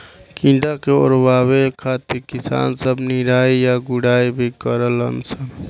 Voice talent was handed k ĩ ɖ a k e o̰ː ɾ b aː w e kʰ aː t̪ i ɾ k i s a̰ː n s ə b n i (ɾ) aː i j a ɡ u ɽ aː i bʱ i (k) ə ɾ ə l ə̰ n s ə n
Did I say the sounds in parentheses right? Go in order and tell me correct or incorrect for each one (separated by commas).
correct, correct